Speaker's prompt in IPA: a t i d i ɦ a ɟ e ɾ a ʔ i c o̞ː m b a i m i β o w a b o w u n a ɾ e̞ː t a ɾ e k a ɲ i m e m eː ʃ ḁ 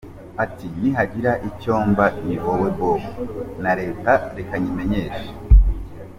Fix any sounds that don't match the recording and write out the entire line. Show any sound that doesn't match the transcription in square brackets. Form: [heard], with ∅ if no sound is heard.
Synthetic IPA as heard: a t i [n] i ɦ a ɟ [i] ɾ a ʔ i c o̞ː m b a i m i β o w [e] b o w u n a ɾ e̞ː t a ɾ e k a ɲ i m e [ɲ] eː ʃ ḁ